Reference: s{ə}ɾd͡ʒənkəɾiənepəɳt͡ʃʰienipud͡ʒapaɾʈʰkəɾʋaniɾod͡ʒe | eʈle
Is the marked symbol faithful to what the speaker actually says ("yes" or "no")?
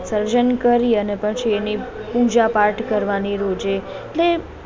yes